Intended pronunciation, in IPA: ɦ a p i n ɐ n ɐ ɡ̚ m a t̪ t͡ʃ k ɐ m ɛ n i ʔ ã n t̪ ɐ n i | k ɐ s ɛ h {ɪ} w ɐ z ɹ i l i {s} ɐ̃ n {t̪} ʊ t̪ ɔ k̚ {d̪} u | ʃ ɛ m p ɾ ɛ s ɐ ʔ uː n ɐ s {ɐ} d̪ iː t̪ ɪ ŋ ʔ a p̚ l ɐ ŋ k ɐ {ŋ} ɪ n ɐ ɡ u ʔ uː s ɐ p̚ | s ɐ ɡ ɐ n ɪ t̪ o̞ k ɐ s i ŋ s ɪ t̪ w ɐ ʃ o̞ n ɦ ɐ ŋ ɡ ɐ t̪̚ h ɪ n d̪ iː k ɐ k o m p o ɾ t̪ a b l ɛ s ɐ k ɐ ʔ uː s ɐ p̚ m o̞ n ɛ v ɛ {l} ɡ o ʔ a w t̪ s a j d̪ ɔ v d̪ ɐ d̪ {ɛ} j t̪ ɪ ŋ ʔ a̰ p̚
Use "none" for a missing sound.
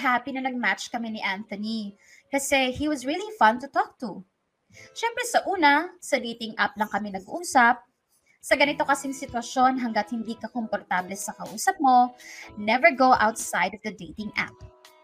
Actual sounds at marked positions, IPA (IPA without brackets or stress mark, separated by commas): i, f, t̪, t̪, ɐ, m, ɹ, e